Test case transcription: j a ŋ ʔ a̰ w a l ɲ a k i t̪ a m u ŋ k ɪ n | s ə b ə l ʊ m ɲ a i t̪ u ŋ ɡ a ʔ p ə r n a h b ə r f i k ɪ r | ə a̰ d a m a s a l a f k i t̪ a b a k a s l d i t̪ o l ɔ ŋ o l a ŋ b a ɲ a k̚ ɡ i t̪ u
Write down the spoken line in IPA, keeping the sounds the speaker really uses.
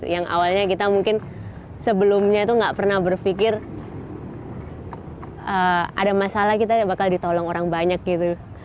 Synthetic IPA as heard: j a ŋ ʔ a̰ w a l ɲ a k i t̪ a m u ŋ k ɪ n | s ə b ə l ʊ m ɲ a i t̪ u ŋ ɡ a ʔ p ə r n a h b ə r f i k ɪ r | ə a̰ d a m a s a l a h k i t̪ a b a k a l d i t̪ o l ɔ ŋ o ɾ a ŋ b a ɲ a k̚ ɡ i t̪ u